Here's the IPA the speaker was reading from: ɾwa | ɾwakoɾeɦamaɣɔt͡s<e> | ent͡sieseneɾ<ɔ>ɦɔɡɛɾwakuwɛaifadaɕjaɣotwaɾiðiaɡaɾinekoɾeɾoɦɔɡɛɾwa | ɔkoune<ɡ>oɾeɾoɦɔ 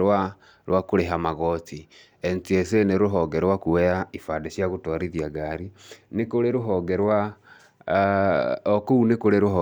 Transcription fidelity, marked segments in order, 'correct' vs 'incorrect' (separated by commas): incorrect, incorrect, incorrect